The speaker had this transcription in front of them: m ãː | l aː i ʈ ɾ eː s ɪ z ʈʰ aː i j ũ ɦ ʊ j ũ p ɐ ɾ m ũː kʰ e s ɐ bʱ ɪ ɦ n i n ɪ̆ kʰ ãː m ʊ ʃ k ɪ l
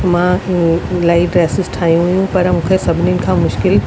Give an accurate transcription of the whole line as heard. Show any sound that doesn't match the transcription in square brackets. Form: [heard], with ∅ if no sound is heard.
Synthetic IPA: m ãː | l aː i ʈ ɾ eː s ɪ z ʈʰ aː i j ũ ɦ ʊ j ũ p ɐ ɾ m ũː kʰ e s ɐ bʱ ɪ [∅] n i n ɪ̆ kʰ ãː m ʊ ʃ k ɪ l

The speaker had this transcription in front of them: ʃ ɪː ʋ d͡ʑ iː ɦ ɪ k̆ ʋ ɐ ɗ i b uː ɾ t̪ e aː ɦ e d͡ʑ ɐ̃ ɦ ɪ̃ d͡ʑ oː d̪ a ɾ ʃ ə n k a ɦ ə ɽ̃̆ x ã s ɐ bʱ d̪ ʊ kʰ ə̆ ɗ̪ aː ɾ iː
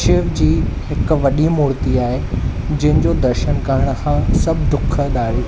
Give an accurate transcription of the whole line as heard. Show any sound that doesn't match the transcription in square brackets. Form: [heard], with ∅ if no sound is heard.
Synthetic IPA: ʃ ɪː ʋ d͡ʑ iː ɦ ɪ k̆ ʋ ɐ ɗ i [m] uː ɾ t̪ [i] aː ɦ e d͡ʑ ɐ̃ ɦ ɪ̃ d͡ʑ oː d̪ [ɐ] ɾ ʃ ə n k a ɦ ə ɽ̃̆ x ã s ɐ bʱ d̪ ʊ kʰ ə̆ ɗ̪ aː ɾ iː

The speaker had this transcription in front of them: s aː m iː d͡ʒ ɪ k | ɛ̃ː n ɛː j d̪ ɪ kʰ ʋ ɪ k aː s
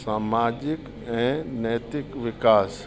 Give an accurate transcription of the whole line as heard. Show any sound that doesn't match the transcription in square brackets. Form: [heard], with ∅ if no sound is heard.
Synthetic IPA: s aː m [aː] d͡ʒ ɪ k | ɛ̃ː n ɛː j [t̪] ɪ [k] ʋ ɪ k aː s

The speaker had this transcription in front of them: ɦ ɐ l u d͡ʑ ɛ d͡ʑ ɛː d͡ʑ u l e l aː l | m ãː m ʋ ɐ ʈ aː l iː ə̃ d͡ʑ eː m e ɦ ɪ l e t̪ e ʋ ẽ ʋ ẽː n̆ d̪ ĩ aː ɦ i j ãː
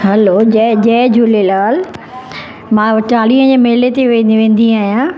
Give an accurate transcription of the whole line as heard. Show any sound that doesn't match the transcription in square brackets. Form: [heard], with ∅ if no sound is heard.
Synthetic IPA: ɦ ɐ l [o] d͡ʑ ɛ d͡ʑ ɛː d͡ʑ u l e l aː l | m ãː [∅] ʋ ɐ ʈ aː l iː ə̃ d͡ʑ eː m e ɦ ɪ l e t̪ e ʋ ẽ ʋ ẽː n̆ d̪ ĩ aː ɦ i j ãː

